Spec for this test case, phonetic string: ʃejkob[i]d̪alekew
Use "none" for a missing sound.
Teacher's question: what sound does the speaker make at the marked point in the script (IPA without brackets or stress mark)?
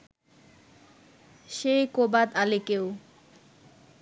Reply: a